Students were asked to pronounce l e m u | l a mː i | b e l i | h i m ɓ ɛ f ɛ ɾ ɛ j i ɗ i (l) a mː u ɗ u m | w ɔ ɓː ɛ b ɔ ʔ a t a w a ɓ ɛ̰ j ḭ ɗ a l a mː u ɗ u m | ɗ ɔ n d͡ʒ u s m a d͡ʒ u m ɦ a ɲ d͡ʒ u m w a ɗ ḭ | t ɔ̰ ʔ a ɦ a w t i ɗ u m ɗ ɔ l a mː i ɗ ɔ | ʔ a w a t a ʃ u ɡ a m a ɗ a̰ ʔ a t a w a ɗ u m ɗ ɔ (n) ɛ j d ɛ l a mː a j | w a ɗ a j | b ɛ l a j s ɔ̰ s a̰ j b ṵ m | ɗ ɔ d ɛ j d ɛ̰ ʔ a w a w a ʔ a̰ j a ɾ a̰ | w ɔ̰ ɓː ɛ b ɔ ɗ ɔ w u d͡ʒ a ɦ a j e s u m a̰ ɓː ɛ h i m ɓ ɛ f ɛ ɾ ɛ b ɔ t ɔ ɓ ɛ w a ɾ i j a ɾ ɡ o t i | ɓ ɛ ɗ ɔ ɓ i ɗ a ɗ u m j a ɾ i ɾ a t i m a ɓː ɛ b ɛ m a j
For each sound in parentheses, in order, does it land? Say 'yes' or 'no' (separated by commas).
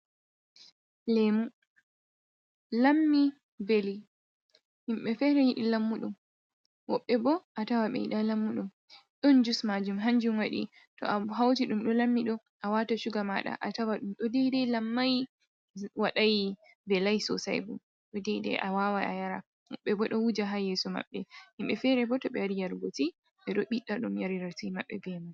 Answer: yes, no